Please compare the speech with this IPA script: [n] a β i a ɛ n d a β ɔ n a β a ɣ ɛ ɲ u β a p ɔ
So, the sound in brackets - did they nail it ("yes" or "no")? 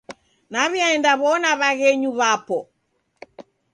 yes